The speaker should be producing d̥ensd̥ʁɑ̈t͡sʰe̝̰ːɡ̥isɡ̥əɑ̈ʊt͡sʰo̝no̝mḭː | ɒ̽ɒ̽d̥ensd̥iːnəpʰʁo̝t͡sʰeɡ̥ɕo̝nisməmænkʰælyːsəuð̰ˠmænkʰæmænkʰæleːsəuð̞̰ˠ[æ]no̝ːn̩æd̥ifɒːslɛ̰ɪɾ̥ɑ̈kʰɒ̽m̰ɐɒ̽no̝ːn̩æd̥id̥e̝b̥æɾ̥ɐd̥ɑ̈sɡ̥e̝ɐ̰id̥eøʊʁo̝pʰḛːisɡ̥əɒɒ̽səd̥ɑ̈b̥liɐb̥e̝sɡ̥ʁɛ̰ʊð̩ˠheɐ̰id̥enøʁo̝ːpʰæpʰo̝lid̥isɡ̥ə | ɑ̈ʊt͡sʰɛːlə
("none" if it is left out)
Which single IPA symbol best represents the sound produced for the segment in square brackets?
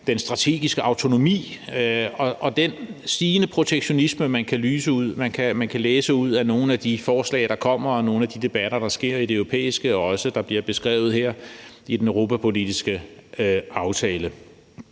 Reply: æ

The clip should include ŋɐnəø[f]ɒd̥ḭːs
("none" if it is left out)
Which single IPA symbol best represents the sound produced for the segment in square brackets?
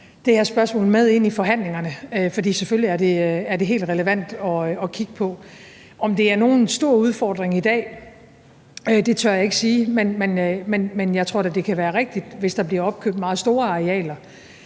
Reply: f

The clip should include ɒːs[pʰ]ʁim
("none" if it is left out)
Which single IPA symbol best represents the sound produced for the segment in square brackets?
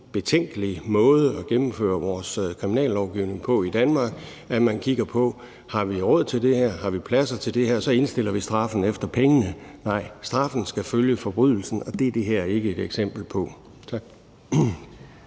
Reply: kʰ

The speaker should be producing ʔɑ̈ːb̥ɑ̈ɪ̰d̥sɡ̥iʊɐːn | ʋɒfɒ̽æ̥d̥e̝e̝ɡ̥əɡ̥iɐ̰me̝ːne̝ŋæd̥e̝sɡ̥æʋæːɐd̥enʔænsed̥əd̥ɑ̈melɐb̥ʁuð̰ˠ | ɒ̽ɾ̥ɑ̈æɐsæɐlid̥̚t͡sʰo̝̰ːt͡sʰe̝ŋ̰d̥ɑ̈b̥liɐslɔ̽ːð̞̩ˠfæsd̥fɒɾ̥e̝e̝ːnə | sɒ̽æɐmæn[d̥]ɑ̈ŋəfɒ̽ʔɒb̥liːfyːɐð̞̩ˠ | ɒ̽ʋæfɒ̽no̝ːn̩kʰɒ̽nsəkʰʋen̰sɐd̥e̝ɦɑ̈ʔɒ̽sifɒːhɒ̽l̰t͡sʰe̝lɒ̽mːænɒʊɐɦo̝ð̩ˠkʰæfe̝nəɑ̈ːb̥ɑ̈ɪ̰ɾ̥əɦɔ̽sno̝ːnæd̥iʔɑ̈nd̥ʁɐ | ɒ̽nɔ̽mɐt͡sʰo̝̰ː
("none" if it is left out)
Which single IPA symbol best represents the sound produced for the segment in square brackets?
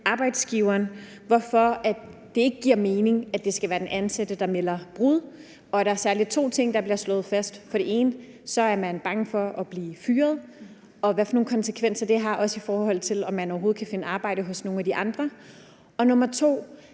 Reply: b̥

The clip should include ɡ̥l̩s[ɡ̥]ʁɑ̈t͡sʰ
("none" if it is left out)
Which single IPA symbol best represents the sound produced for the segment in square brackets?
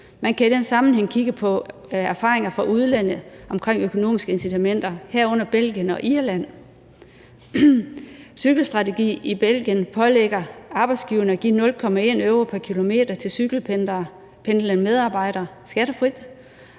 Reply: d̥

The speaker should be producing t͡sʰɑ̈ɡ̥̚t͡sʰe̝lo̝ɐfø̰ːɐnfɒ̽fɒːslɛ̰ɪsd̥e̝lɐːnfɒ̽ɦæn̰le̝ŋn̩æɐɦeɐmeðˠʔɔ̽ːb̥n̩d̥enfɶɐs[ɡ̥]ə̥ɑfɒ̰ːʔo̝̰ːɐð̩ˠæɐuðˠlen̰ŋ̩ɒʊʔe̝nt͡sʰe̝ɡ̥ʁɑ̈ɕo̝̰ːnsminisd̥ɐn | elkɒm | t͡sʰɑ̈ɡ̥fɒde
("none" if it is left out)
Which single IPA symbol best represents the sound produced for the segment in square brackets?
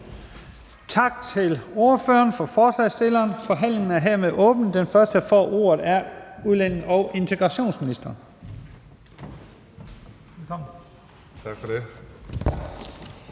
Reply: d̥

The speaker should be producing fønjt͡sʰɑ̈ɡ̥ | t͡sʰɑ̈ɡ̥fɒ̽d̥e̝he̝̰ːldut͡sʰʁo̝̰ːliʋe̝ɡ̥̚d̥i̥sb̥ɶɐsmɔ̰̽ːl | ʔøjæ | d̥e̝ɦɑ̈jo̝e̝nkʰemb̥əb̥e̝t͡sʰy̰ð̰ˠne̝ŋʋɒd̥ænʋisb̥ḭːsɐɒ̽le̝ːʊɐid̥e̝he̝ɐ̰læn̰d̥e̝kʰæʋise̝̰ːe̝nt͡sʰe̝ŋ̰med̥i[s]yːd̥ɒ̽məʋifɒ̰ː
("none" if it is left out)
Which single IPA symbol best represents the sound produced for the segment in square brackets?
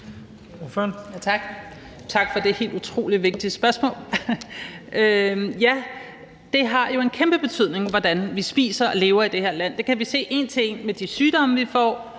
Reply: s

